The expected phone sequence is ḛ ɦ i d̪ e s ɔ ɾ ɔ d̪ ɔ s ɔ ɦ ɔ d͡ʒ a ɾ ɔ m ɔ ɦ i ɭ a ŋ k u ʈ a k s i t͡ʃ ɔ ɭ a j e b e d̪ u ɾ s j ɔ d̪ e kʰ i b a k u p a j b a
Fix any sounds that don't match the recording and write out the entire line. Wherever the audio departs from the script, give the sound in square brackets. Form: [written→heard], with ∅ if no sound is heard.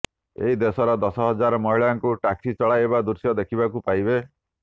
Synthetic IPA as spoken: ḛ ɦ i d̪ e s ɔ ɾ ɔ d̪ ɔ s ɔ ɦ ɔ d͡ʒ a ɾ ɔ m ɔ ɦ i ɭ a ŋ k u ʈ a k s i t͡ʃ ɔ ɭ a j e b [e→a] d̪ u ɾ s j ɔ d̪ e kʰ i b a k u p a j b [a→e]